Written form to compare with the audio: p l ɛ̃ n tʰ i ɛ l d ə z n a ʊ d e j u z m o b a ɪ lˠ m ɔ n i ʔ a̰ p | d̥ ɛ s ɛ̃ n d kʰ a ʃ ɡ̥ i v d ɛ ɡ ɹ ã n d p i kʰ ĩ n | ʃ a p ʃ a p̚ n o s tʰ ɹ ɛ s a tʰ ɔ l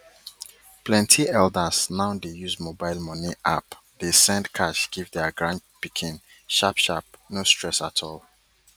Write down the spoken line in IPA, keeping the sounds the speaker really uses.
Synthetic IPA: p l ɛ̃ n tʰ i ɛ l d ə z n a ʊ d e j u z m o b a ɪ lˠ m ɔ n i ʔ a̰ p | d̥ e s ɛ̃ n d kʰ a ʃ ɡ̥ i v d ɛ ɡ ɹ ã n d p i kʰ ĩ n | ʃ a p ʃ a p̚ n o s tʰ ɹ ɛ s a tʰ ɔ l